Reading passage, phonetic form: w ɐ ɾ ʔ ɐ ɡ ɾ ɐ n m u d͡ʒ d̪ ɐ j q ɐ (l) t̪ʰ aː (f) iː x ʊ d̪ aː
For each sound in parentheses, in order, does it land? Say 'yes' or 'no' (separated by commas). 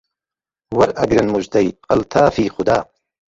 yes, yes